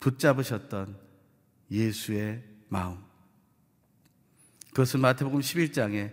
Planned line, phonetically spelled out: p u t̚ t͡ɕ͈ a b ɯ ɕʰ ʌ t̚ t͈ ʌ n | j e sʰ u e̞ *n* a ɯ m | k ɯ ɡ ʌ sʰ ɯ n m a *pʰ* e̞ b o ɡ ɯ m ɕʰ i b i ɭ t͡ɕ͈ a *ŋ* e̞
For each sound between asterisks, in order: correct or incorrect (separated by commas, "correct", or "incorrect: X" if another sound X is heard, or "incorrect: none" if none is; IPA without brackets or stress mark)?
incorrect: m, incorrect: tʰ, correct